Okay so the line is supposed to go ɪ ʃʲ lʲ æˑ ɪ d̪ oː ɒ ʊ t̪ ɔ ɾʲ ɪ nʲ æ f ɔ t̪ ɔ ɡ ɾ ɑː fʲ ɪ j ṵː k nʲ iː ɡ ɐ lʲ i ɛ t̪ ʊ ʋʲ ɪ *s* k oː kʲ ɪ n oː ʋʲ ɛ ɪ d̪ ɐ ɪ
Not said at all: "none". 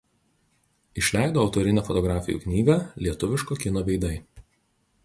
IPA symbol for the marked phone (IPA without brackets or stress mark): ʃ